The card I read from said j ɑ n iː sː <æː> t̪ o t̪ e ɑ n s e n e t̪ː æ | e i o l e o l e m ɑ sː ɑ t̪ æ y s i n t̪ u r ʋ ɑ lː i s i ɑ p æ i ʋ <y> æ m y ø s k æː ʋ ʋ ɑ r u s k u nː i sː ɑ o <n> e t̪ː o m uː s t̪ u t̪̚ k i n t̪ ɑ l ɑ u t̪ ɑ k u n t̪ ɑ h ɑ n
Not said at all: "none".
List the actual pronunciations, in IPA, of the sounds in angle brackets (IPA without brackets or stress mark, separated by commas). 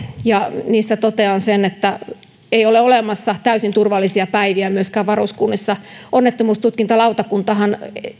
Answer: æ, i, nː